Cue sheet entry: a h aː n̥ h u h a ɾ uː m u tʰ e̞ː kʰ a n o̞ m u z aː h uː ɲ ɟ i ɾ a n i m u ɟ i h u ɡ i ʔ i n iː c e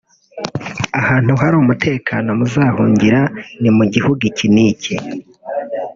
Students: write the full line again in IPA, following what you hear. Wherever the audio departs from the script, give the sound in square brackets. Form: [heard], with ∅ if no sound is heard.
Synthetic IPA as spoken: a h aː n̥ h u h a ɾ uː m u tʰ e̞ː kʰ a n o̞ m u z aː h uː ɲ ɟ i ɾ a n i m u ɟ i h u ɡ i [c] i n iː c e